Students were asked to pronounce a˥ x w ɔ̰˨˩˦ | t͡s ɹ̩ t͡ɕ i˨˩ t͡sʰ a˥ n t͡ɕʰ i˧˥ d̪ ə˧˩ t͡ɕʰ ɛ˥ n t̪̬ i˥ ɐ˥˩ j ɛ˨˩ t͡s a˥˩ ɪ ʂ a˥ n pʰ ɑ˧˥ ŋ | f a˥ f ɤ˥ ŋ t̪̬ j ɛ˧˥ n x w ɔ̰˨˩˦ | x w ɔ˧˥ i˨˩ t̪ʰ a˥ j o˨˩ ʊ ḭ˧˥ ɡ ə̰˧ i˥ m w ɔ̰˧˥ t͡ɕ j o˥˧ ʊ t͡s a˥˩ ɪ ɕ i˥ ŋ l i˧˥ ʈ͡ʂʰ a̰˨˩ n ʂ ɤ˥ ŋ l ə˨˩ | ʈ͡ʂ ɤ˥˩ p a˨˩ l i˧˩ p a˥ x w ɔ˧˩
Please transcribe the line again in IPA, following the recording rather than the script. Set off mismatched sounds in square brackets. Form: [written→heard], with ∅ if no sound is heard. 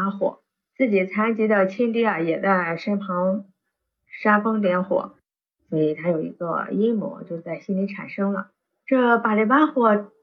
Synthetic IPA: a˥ x w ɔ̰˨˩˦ | t͡s ɹ̩ t͡ɕ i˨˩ t͡sʰ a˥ n [t͡ɕʰ→t͡ɕ] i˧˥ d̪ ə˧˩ t͡ɕʰ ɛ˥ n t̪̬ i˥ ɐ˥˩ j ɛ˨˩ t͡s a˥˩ ɪ ʂ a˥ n pʰ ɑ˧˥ ŋ | [f→ʂ] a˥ f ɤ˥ ŋ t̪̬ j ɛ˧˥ n x w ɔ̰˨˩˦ | [x→s] w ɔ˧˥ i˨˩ t̪ʰ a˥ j o˨˩ ʊ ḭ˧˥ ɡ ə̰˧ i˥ m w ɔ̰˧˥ t͡ɕ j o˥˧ ʊ t͡s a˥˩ ɪ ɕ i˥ [ŋ→n] l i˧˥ ʈ͡ʂʰ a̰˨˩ n ʂ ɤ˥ ŋ l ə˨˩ | ʈ͡ʂ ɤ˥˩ p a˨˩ l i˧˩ p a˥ x w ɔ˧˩